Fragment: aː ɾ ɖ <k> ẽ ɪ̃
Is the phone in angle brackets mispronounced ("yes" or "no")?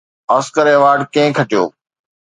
no